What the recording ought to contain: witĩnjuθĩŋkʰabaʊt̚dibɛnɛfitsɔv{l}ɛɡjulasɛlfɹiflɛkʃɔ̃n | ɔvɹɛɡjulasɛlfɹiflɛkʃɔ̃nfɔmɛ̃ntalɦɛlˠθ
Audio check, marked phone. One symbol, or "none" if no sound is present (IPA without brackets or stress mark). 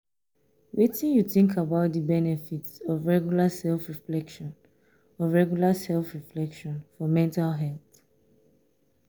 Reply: ɹ